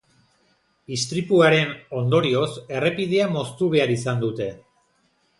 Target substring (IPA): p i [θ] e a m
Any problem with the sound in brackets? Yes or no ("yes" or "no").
yes